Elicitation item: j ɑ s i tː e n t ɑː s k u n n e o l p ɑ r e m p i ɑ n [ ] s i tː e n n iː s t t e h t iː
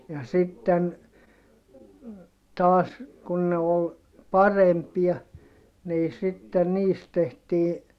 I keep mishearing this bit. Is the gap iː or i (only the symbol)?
iː